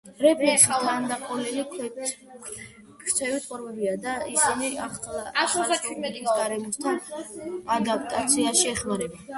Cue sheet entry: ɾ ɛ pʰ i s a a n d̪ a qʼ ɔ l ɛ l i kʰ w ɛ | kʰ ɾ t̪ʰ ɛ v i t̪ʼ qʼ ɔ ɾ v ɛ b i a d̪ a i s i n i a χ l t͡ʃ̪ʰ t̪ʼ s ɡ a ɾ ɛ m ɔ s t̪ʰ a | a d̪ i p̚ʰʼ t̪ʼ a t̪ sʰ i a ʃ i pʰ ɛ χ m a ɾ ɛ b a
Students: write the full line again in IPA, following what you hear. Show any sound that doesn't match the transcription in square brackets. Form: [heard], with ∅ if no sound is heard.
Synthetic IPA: ɾ ɛ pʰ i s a a n d̪ a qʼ ɔ l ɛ l i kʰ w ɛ | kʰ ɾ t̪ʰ ɛ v i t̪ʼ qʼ ɔ ɾ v ɛ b i a d̪ a i s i n i a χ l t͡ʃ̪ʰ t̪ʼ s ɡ a ɾ ɛ m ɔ s t̪ʰ a | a d̪ [a] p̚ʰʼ t̪ʼ a t̪ sʰ i a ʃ i [∅] ɛ χ m a ɾ ɛ b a

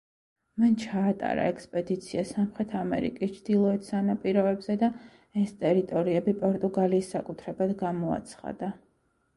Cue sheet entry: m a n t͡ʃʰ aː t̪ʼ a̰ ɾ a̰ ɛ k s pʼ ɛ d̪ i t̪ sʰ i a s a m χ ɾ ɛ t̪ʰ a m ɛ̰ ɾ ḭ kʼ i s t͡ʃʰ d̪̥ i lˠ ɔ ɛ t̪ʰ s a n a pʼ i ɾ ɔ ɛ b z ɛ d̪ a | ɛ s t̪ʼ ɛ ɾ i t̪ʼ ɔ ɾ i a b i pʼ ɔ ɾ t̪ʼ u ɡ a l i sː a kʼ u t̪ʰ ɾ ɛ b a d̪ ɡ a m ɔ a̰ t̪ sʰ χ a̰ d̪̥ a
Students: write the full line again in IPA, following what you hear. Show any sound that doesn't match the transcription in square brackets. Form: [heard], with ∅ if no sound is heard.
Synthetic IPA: m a n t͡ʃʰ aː t̪ʼ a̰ ɾ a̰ ɛ k s pʼ ɛ d̪ i t̪ sʰ i a s a m χ ɾ ɛ t̪ʰ a m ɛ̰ ɾ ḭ kʼ i s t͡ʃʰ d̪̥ i lˠ ɔ ɛ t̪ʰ s a n a pʼ i ɾ ɔ ɛ b z ɛ d̪ a | ɛ s t̪ʼ ɛ ɾ i t̪ʼ ɔ ɾ i [ɛ] b i pʼ ɔ ɾ t̪ʼ u ɡ a l [iː] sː a kʼ u t̪ʰ ɾ ɛ b a d̪ ɡ a m ɔ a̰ t̪ sʰ χ a̰ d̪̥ a

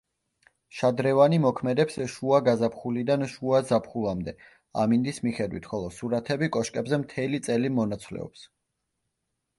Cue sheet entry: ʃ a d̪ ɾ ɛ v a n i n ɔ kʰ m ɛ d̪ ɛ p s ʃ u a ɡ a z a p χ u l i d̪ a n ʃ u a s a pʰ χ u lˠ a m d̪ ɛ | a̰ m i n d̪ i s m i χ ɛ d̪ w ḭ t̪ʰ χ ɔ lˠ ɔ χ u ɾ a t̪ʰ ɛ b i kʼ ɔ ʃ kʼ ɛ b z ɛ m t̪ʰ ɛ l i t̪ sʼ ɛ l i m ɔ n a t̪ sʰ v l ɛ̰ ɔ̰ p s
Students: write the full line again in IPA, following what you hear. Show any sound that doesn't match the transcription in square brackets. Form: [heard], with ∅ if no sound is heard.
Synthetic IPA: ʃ a d̪ ɾ ɛ v a n i [m] ɔ kʰ m ɛ d̪ ɛ p s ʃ u a ɡ a z a p χ u l i d̪ a n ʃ u a [z] a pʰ χ u lˠ a m d̪ ɛ | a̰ m i n d̪ i s m i χ ɛ d̪ w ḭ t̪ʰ χ ɔ lˠ ɔ [s] u ɾ a t̪ʰ ɛ b i kʼ ɔ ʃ kʼ ɛ b z ɛ m t̪ʰ ɛ l i t̪ sʼ ɛ l i m ɔ n a t̪ sʰ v l ɛ̰ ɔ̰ p s

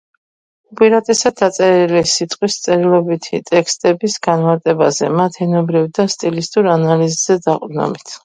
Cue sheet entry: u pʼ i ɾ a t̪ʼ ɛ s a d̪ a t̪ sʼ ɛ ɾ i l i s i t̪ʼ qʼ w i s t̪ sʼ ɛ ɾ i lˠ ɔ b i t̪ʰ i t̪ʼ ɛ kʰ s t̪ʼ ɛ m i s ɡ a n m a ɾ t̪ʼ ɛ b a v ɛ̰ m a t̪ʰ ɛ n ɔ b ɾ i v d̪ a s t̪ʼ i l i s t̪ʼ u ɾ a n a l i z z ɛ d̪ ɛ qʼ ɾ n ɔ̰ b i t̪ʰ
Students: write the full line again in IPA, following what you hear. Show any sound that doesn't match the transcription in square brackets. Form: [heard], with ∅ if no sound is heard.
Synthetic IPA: u pʼ i ɾ a t̪ʼ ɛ s a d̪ a t̪ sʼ ɛ ɾ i l i s i t̪ʼ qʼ w i s t̪ sʼ ɛ ɾ i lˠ ɔ b i t̪ʰ i t̪ʼ ɛ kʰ s t̪ʼ ɛ [b] i s ɡ a n m a ɾ t̪ʼ ɛ b a [z] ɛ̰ m a t̪ʰ ɛ n ɔ b ɾ i v d̪ a s t̪ʼ i l i s t̪ʼ u ɾ a n a l i z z ɛ d̪ [a] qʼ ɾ n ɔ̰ b i t̪ʰ

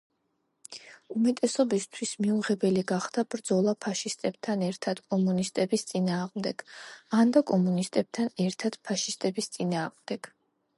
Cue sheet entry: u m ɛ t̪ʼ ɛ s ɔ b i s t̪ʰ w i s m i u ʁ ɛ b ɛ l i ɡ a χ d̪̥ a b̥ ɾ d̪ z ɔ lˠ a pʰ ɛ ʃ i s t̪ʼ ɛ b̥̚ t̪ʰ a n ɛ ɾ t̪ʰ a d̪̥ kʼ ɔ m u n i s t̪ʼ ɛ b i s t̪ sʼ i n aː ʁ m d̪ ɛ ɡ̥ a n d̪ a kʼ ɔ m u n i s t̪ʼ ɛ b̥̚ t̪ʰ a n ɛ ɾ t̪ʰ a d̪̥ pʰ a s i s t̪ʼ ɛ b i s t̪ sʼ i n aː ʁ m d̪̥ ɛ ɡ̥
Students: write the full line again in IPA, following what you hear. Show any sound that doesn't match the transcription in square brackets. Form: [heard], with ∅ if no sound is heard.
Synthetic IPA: u m ɛ t̪ʼ ɛ s ɔ b i s t̪ʰ w i s m i u ʁ ɛ b ɛ l i ɡ a χ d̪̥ a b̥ ɾ d̪ z ɔ lˠ a pʰ [a] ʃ i s t̪ʼ ɛ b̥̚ t̪ʰ a n ɛ ɾ t̪ʰ a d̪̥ kʼ ɔ m u n i s t̪ʼ ɛ b i s t̪ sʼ i n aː ʁ m d̪ ɛ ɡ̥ a n d̪ a kʼ ɔ m u n i s t̪ʼ ɛ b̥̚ t̪ʰ a n ɛ ɾ t̪ʰ a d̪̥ pʰ a [ʃ] i s t̪ʼ ɛ b i s t̪ sʼ i n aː ʁ m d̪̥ ɛ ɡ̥

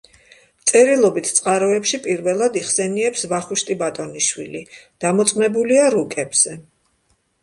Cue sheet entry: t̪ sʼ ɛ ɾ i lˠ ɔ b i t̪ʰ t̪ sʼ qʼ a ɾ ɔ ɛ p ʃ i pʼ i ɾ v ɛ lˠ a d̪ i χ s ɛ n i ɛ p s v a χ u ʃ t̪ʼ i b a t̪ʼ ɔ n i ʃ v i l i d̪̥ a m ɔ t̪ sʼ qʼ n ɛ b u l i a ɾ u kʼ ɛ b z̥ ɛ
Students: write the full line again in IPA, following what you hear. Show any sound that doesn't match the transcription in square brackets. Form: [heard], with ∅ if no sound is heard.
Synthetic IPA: t̪ sʼ ɛ ɾ i lˠ ɔ b i t̪ʰ t̪ sʼ qʼ a ɾ ɔ ɛ p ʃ i pʼ i ɾ v ɛ lˠ a d̪ i χ s ɛ n i ɛ p s v a χ u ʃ t̪ʼ i b a t̪ʼ ɔ n i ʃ [w] i l i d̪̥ a m ɔ t̪ sʼ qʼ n ɛ b u l i a ɾ u kʼ ɛ b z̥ ɛ

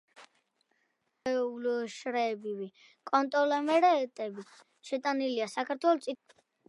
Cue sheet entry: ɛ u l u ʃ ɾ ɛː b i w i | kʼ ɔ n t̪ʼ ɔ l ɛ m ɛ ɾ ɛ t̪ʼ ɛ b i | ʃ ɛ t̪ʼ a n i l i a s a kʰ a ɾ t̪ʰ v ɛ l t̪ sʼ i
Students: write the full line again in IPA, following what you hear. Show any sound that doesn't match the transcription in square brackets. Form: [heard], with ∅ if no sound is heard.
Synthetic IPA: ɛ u l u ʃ ɾ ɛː b i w i | kʼ ɔ n t̪ʼ ɔ l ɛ m ɛ ɾ ɛ t̪ʼ ɛ b i | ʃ ɛ t̪ʼ a n i l i a s a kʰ a ɾ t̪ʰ [w] ɛ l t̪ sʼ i

